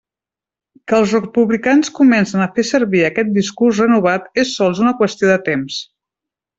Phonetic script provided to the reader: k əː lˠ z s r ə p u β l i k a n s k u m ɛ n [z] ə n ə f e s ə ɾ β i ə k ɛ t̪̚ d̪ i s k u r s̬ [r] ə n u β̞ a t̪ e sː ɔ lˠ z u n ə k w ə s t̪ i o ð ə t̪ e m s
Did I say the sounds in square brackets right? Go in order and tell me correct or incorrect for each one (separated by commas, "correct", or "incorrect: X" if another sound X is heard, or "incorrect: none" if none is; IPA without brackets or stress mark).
incorrect: s, correct